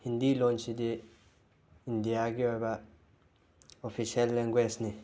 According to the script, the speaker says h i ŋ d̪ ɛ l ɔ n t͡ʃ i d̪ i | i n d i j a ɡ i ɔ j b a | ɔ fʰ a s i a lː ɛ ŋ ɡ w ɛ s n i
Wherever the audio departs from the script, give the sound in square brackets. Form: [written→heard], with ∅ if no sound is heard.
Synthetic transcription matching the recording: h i [ŋ→n] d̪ [ɛ→i] l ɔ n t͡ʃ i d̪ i | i n d i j a ɡ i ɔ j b a | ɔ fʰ [a→i] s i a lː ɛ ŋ ɡ w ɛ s n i